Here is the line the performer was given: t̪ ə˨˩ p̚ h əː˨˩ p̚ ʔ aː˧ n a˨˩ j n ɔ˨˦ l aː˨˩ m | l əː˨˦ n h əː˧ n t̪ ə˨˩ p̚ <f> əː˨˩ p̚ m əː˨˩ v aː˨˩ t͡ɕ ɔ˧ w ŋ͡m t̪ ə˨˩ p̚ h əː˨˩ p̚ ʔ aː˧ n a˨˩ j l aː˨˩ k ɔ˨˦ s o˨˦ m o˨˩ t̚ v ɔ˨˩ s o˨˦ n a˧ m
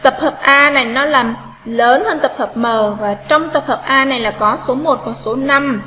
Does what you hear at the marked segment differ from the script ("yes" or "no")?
yes